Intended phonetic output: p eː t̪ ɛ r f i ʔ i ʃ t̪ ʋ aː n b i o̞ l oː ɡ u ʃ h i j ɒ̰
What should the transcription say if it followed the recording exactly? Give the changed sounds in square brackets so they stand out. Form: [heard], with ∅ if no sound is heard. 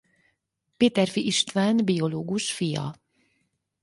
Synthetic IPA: p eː t̪ ɛ r f i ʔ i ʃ t̪ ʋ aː n b i o̞ l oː ɡ u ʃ [f] i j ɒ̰